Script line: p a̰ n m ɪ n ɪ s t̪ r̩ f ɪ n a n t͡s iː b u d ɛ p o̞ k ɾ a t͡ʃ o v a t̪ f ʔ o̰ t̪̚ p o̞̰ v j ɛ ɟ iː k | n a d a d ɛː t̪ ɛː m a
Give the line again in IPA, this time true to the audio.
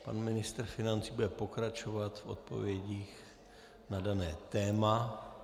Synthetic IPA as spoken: p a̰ n m ɪ n ɪ s t̪ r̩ f ɪ n a n t͡s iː b u d ɛ p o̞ k ɾ a t͡ʃ o v a t̪ f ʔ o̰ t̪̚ p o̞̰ v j ɛ ɟ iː x | n a d a n ɛː t̪ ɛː m a